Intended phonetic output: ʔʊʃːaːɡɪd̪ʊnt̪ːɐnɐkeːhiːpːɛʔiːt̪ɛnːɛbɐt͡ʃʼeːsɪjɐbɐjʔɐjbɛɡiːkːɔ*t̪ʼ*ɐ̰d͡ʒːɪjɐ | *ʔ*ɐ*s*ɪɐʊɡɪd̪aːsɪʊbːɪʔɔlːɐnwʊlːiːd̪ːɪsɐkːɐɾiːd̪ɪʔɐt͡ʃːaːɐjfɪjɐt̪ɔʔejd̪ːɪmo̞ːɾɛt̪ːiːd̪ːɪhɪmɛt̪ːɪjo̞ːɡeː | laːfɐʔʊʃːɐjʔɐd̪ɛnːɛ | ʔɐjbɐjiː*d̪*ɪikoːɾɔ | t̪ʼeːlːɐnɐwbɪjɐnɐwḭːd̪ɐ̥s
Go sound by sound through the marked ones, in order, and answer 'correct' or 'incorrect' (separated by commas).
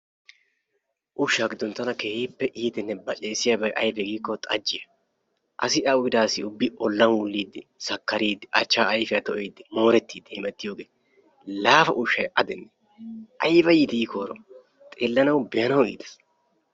correct, correct, correct, incorrect